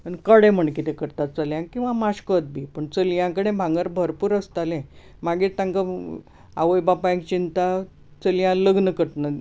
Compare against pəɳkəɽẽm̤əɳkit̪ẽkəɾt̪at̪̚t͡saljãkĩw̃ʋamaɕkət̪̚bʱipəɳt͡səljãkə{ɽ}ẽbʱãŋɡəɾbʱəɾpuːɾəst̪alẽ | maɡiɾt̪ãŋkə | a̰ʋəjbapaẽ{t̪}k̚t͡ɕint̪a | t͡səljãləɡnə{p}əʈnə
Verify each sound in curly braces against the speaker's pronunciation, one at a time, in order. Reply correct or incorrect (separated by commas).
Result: correct, incorrect, incorrect